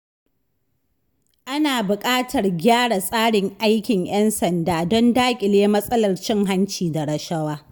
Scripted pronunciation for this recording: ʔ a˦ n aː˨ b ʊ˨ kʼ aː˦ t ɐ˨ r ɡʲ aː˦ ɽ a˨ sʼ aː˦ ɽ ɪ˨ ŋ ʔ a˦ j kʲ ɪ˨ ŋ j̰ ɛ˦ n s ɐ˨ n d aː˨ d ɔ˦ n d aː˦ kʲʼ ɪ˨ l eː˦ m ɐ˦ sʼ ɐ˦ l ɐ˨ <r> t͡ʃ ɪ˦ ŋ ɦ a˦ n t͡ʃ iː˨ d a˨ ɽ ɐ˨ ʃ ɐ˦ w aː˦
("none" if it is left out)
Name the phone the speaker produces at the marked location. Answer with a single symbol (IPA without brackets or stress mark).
r